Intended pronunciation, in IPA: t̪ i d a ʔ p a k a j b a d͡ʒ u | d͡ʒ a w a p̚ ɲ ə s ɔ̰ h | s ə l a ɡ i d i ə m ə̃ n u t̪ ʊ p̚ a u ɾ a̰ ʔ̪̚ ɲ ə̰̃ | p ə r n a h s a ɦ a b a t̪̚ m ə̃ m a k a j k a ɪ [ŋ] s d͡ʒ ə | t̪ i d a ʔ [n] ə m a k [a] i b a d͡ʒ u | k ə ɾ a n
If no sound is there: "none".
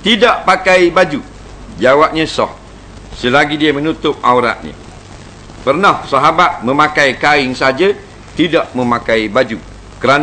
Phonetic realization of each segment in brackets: ŋ, m, a

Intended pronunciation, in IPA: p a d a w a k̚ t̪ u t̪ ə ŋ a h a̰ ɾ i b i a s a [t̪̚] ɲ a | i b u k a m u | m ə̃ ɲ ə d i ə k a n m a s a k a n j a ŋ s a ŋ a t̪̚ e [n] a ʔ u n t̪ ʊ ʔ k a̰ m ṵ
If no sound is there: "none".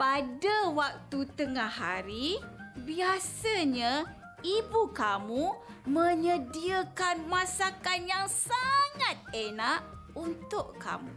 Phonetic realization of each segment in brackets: none, n

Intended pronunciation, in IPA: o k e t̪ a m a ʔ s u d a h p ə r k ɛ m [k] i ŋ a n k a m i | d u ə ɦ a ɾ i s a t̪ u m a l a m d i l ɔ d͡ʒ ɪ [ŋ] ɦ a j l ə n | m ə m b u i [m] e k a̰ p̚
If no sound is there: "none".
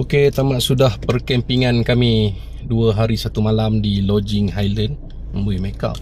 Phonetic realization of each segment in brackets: p, ŋ, m

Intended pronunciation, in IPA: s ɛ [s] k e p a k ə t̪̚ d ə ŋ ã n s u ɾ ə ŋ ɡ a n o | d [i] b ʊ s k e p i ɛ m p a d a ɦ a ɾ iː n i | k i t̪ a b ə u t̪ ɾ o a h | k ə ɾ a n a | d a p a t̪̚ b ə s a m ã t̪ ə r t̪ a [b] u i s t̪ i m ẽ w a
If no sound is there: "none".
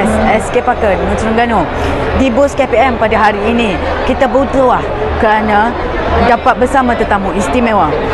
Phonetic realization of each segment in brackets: s, i, m

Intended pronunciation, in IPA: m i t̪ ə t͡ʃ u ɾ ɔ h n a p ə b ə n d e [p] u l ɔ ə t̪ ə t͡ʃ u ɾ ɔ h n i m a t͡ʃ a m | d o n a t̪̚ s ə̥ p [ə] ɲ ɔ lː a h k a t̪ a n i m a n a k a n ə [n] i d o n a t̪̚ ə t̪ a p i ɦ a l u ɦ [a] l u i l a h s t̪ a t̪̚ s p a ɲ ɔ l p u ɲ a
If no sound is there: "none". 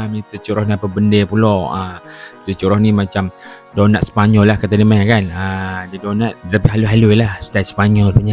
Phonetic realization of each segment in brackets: p, a, d, a

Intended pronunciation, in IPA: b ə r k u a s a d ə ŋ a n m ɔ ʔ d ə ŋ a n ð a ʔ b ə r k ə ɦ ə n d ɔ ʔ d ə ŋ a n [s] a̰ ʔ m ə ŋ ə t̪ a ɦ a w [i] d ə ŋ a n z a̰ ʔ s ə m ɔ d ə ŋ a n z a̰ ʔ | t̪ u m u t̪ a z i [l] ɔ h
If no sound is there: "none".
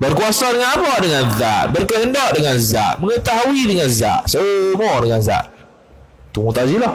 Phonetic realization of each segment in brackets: z, i, l

